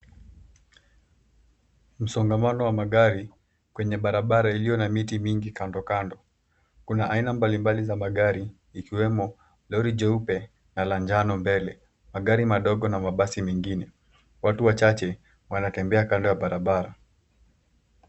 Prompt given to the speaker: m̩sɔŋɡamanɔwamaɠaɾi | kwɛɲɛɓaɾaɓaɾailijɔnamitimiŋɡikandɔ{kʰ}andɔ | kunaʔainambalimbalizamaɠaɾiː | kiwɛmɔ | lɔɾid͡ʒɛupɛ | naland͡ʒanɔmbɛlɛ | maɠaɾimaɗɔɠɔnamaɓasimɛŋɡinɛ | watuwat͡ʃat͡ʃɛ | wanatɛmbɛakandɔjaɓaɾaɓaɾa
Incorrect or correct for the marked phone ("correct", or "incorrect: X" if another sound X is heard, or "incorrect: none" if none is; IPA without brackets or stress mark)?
incorrect: k